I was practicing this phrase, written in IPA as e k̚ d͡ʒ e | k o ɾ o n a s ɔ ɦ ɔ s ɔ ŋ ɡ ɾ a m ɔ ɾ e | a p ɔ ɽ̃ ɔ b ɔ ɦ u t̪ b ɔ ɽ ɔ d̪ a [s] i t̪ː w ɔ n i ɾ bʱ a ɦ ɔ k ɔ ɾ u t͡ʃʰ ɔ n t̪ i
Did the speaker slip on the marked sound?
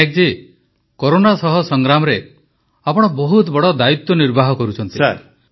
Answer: yes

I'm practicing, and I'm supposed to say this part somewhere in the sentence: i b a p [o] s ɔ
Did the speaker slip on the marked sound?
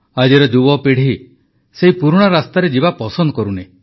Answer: yes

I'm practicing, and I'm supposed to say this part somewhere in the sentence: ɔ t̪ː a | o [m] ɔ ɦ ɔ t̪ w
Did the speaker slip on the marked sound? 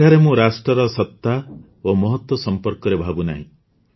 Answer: no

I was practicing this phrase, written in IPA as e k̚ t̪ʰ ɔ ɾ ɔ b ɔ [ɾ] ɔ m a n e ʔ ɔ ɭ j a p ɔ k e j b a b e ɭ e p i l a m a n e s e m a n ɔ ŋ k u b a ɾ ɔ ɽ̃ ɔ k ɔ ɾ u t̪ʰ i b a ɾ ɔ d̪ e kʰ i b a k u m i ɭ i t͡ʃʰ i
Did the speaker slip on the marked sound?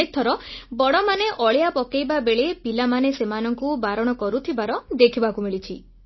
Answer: yes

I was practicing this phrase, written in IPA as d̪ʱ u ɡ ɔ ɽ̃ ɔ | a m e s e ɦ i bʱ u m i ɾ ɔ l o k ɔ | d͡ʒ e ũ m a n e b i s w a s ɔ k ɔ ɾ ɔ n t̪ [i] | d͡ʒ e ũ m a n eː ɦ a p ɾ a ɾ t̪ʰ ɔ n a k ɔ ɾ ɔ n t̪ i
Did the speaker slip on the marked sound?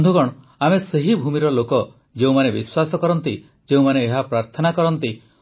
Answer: no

